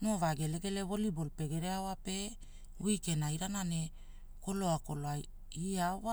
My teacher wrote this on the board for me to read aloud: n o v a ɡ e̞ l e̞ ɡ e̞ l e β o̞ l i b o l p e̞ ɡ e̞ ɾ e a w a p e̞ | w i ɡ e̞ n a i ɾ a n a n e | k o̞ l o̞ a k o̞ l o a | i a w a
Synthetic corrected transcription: n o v a ɡ e̞ l e̞ ɡ e̞ l e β o̞ l i b o l p e̞ ɡ e̞ ɾ e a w a p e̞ | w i k e̞ n a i ɾ a n a n e | k o̞ l o̞ a k o̞ l o a | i a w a